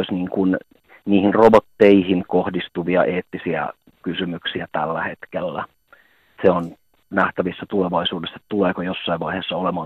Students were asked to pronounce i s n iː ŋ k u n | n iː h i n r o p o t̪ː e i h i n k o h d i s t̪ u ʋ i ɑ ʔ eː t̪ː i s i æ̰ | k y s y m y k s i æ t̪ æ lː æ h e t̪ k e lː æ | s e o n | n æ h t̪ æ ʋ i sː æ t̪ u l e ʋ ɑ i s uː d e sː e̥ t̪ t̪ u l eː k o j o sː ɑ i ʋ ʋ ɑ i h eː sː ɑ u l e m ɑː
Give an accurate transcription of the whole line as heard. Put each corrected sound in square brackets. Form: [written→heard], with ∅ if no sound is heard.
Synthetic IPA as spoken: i s n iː ŋ k u n | n iː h i n r o [p→b] o t̪ː e i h i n k o h d i s t̪ u ʋ i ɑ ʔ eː t̪ː i s i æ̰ | k y s y m y k s i æ t̪ æ lː æ h e t̪ k e lː æ | s e o n | n æ h t̪ æ ʋ i sː æ t̪ u l e ʋ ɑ i s uː d e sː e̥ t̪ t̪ u l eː k o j o sː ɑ i ʋ ʋ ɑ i h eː sː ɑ [u→o] l e m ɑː